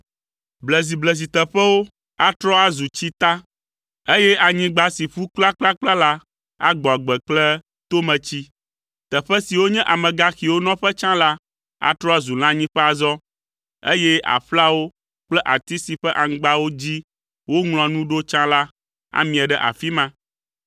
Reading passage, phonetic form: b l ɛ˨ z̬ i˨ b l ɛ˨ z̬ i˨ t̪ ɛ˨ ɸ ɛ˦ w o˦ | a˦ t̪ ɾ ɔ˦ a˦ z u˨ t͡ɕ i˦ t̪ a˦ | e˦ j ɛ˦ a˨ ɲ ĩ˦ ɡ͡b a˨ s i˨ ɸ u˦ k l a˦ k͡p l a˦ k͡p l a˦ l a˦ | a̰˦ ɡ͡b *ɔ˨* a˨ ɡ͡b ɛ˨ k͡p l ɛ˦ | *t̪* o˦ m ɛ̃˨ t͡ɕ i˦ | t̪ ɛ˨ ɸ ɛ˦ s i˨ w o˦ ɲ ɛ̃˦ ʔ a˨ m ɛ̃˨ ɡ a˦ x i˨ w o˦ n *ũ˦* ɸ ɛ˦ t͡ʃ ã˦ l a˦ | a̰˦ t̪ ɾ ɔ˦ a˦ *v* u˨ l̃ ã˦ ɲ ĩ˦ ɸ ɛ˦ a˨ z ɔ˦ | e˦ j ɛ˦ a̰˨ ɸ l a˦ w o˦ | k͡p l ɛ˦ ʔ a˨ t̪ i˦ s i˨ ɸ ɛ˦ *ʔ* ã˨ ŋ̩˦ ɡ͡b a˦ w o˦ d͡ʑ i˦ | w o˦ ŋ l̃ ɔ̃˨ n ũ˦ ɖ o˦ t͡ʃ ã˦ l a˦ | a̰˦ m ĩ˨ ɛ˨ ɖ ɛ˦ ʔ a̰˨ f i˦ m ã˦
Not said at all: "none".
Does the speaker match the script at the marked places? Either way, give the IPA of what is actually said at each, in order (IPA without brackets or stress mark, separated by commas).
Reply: ɔ˨, t̪, ɔ̃˦, z, ʔ